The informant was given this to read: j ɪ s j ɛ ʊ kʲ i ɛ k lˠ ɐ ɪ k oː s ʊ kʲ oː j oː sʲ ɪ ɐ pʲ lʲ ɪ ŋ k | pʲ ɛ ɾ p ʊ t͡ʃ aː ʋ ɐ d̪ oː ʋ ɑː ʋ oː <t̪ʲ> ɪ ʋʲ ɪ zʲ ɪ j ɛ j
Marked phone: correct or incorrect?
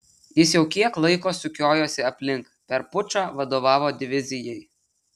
incorrect